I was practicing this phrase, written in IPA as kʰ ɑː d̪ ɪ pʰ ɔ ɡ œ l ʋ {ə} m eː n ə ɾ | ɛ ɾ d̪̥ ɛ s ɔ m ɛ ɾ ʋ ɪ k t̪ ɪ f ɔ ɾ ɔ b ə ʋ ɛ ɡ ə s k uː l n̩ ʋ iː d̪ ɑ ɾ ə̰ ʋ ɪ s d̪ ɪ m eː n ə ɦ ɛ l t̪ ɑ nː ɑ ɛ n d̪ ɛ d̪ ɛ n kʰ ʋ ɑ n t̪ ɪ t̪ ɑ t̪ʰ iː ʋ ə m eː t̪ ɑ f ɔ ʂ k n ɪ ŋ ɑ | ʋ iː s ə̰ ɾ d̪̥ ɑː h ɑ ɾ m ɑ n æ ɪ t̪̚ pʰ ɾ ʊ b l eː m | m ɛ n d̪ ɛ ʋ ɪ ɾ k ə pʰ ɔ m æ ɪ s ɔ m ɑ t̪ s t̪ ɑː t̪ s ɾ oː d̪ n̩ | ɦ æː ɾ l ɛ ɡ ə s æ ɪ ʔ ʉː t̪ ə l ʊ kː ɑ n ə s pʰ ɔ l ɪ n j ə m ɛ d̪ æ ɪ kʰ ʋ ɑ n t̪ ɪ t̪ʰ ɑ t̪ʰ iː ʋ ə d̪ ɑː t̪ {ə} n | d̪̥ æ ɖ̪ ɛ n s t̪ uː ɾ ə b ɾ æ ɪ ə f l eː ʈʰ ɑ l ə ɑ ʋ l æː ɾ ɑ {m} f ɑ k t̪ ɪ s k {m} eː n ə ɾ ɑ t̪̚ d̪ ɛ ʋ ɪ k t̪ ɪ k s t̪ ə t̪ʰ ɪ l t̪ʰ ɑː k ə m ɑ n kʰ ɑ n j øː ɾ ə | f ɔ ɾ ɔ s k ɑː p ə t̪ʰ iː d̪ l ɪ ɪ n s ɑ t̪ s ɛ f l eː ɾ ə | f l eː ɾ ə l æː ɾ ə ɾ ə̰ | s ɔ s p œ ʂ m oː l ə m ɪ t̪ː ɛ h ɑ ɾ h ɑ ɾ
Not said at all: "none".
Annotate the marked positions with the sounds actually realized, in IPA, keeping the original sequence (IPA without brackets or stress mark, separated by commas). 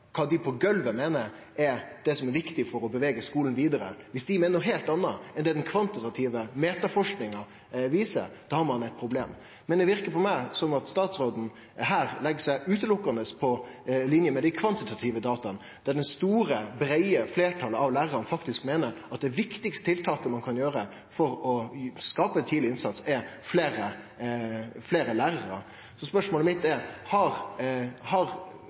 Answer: ə, ɑ, n, m